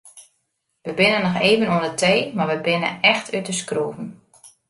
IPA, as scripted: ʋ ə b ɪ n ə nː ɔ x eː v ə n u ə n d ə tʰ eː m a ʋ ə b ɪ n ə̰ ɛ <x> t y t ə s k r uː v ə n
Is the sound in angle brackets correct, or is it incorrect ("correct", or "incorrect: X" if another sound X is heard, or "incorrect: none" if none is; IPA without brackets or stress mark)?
correct